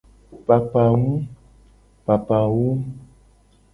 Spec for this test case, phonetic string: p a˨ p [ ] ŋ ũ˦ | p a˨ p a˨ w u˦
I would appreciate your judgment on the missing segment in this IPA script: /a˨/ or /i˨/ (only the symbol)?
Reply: a˨